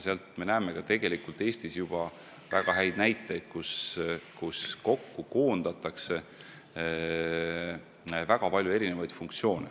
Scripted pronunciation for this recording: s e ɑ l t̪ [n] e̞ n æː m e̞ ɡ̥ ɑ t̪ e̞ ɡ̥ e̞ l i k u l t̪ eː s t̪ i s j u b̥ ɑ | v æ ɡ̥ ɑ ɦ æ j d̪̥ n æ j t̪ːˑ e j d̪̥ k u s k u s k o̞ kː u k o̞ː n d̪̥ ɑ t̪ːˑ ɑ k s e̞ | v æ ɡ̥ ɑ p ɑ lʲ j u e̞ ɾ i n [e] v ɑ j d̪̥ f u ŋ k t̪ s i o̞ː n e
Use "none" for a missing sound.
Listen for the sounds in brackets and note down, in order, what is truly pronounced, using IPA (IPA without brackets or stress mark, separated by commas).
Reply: m, e